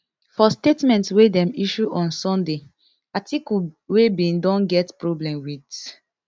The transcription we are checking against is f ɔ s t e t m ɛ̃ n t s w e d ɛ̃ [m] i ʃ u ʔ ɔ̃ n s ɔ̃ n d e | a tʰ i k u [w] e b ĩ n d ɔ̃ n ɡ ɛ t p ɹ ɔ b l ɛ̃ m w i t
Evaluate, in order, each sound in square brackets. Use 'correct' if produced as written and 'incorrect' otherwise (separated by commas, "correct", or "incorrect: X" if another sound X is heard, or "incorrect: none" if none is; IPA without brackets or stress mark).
correct, correct